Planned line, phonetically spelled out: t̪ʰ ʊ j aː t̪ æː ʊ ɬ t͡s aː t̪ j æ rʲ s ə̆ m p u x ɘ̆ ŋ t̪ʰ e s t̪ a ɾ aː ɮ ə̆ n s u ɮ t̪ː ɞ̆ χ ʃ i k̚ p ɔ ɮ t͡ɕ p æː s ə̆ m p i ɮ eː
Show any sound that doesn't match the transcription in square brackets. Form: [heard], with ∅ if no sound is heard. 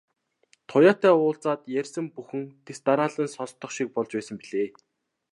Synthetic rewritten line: t̪ʰ ʊ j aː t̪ æː [ʊː] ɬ t͡s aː t̪ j æ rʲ s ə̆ m p u x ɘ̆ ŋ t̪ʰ e s t̪ a ɾ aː ɮ ə̆ n s [ɔ] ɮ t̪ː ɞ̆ χ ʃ i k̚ p ɔ ɮ t͡ɕ p æː s ə̆ m p i ɮ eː